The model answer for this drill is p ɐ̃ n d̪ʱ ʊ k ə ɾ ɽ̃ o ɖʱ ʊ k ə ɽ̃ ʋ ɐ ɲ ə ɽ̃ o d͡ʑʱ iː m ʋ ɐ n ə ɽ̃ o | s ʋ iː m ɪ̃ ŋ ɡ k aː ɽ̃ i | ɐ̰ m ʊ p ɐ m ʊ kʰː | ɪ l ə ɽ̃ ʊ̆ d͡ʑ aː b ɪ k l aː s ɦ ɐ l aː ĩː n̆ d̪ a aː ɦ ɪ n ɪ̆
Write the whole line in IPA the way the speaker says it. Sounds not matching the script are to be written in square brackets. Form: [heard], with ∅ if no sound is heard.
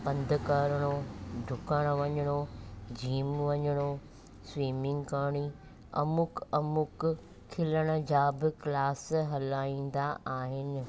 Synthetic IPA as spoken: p ɐ̃ n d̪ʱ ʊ k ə ɾ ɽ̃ o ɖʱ ʊ k ə ɽ̃ ʋ ɐ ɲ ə ɽ̃ o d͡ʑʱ iː m ʋ ɐ [ɲ] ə ɽ̃ o | s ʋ iː m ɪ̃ ŋ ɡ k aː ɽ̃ i | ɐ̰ m ʊ [k] ɐ m ʊ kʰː | ɪ l ə ɽ̃ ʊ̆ d͡ʑ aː b ɪ k l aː s ɦ ɐ l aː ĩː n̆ d̪ a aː ɦ ɪ n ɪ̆

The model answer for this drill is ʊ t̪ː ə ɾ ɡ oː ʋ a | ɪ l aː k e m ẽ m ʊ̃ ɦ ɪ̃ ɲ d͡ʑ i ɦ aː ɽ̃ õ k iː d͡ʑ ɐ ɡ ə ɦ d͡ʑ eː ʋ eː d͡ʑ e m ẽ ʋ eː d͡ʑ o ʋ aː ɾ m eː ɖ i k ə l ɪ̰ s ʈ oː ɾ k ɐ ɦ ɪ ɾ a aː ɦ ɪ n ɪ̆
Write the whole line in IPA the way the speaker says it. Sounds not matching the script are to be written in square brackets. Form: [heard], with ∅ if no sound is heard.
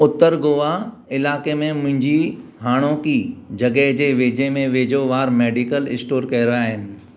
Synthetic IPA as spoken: ʊ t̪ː ə ɾ ɡ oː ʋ a | ɪ l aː k e m ẽ m ʊ̃ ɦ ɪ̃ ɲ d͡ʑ i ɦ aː ɽ̃ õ k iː d͡ʑ ɐ ɡ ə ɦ d͡ʑ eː ʋ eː d͡ʑ e m ẽ ʋ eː d͡ʑ o ʋ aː ɾ m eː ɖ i k ə l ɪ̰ s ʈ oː ɾ k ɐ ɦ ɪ ɾ a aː ɦ ɪ n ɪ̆

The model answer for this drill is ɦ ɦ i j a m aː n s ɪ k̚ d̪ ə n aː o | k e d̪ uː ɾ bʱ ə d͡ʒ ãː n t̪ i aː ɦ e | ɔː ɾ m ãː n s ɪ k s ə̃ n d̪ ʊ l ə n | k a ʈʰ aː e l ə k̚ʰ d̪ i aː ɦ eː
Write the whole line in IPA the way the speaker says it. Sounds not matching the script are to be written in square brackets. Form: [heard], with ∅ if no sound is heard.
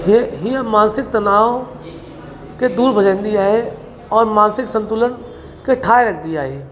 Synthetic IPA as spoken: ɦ ɦ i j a m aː n s ɪ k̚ [t̪] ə n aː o | k e d̪ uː ɾ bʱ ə d͡ʒ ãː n [d̪] i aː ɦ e | ɔː ɾ m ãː n s ɪ k s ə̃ n [t̪] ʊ l ə n | k [e] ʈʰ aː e [ɾ] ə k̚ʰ d̪ i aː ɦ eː

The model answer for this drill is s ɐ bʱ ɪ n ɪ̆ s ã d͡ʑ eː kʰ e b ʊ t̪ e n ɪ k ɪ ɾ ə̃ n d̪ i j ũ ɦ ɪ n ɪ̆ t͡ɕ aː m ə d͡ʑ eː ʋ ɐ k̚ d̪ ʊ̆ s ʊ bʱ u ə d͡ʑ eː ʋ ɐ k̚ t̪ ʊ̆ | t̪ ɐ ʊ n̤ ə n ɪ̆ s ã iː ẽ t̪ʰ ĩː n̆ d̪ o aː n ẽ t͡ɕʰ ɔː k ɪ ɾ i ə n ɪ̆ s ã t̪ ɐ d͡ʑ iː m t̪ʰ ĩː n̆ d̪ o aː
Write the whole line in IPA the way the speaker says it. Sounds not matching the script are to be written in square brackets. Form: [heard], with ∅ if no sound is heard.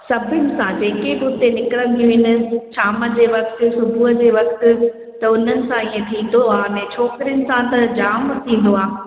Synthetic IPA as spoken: s ɐ bʱ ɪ n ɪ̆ s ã d͡ʑ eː [k] e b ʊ t̪ e n ɪ k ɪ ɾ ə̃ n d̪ i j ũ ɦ ɪ n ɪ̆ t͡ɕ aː m ə d͡ʑ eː ʋ ɐ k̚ [t̪] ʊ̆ s ʊ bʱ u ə d͡ʑ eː ʋ ɐ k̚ t̪ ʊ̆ | t̪ ɐ ʊ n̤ ə n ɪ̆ s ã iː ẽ t̪ʰ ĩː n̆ d̪ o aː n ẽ t͡ɕʰ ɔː k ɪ ɾ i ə n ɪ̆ s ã t̪ ɐ d͡ʑ [aː] m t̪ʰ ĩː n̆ d̪ o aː

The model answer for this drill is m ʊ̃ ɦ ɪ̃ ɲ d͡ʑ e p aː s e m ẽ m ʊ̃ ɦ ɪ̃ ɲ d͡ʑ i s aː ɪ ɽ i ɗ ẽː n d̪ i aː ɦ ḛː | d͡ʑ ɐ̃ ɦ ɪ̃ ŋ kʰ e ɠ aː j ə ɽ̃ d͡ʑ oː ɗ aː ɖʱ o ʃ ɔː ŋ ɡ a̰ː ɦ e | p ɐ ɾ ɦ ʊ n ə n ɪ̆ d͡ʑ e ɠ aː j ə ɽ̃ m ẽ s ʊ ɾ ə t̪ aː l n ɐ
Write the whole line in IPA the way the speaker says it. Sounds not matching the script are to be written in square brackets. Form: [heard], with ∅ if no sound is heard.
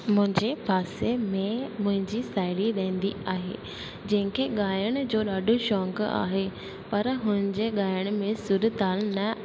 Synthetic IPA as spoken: m ʊ̃ ɦ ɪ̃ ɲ d͡ʑ e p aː s e m ẽ m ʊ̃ ɦ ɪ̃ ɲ d͡ʑ i s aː ɪ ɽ i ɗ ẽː n d̪ i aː ɦ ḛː | d͡ʑ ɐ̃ ɦ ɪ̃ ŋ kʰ e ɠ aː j ə ɽ̃ d͡ʑ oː ɗ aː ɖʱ o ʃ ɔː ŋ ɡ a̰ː ɦ e | p ɐ ɾ ɦ ʊ n ə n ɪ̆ d͡ʑ e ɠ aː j ə ɽ̃ m ẽ s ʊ ɾ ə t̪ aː l n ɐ

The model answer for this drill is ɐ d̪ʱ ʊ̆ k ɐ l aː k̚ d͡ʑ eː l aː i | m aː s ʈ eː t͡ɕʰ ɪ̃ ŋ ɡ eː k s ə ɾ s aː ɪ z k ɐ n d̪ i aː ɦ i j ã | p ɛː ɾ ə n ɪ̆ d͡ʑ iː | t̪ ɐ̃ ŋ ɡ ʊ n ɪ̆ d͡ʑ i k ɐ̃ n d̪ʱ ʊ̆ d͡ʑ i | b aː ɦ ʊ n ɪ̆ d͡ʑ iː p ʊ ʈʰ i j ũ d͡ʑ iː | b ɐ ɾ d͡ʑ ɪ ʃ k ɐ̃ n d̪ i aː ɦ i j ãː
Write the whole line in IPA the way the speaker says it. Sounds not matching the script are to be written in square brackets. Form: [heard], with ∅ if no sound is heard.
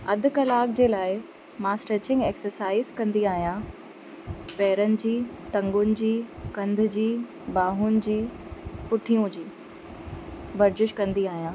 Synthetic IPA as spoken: ɐ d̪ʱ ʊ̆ k ɐ l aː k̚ d͡ʑ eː l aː [ɪ] | m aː s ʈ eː [t͡ɕ] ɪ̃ ŋ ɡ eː k s ə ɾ s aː ɪ z k [ɐ̃] n d̪ i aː ɦ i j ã | p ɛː ɾ ə n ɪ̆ d͡ʑ iː | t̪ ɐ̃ ŋ ɡ ʊ n ɪ̆ d͡ʑ [iː] k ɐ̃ n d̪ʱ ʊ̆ d͡ʑ [iː] | b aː ɦ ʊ n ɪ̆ d͡ʑ iː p ʊ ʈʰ i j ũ d͡ʑ iː | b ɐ ɾ d͡ʑ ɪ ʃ k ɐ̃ n d̪ i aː ɦ i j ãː

